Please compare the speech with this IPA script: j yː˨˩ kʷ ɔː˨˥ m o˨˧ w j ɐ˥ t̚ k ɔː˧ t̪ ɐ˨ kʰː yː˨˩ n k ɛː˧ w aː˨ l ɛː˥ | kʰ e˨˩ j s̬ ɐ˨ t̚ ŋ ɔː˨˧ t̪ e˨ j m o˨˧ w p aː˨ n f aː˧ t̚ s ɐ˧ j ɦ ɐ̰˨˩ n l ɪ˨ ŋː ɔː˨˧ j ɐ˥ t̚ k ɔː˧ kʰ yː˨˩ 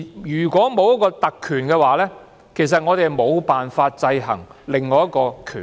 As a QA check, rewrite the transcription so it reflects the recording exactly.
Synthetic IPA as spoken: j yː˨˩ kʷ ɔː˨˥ m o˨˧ w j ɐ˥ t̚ k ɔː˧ t̪ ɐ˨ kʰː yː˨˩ n k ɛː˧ w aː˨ l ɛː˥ | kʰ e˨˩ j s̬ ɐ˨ t̚ ŋ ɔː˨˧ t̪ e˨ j m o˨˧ w p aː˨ n f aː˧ t̚ t͡s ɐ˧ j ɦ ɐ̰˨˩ ŋ l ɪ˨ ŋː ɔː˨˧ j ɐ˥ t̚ k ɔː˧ kʰ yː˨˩